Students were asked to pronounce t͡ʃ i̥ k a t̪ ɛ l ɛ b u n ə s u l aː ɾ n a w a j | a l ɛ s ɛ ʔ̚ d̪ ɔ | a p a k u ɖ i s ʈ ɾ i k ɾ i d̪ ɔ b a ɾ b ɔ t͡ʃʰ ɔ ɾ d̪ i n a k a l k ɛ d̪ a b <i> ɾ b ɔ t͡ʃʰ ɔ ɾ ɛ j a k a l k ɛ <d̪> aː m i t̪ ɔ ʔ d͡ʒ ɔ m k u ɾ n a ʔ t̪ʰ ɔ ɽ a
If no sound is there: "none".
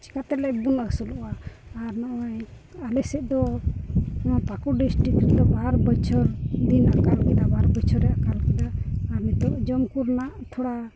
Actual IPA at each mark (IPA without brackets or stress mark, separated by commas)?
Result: a, d̪